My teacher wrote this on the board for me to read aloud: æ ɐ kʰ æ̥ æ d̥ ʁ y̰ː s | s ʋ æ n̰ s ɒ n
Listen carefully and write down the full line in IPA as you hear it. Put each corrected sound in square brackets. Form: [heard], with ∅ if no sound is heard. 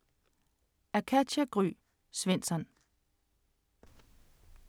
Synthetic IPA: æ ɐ kʰ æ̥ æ [ɡ̥] ʁ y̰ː [∅] | s ʋ [e] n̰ s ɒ n